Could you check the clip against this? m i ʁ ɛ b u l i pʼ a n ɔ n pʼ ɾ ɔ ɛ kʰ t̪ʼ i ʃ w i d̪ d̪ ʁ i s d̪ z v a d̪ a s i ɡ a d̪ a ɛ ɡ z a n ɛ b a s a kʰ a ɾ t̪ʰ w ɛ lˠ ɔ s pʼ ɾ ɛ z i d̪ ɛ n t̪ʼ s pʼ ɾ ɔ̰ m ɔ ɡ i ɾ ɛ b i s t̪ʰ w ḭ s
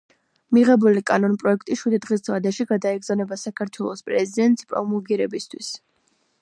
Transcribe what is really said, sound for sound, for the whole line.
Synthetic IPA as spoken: m i ʁ ɛ b u l i kʼ a n ɔ n pʼ ɾ ɔ ɛ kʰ t̪ʼ i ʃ w i d̪ d̪ ʁ i s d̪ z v a d̪ a ʃ i ɡ a d̪ a ɛ ɡ z a n ɛ b a s a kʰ a ɾ t̪ʰ w ɛ lˠ ɔ s pʼ ɾ ɛ z i d̪ ɛ n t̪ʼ s pʼ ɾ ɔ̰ m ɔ ɡ i ɾ ɛ b i s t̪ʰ w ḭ s